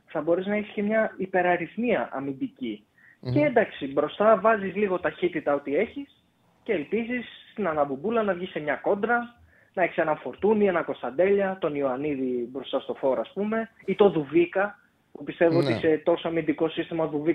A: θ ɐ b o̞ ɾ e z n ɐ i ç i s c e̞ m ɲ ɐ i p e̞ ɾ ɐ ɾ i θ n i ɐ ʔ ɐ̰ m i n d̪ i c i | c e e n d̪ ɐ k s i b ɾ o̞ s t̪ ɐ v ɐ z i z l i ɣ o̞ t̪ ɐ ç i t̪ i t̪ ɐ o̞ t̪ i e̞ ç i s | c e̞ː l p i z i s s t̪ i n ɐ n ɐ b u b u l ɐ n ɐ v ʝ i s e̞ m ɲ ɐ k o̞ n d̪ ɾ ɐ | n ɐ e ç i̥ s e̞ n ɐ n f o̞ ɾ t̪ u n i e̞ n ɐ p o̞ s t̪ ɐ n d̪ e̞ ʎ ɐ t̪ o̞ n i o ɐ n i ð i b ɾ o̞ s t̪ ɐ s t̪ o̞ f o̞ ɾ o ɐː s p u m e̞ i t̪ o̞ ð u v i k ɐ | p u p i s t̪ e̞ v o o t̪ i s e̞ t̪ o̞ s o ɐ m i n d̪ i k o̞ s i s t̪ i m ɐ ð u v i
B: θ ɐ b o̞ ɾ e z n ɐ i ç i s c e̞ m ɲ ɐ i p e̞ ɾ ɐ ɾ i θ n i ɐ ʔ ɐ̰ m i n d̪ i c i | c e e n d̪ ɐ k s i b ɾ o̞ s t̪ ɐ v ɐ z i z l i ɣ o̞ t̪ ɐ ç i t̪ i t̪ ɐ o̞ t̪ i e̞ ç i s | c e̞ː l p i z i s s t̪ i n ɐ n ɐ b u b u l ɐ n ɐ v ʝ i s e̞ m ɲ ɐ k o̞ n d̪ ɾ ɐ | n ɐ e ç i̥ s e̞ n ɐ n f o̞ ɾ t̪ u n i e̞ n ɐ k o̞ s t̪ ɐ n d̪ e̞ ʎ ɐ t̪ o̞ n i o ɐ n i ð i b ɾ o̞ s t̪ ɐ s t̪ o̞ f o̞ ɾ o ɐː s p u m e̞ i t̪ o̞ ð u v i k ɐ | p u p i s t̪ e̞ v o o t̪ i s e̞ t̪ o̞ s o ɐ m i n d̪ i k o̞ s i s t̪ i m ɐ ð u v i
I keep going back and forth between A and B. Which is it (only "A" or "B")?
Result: B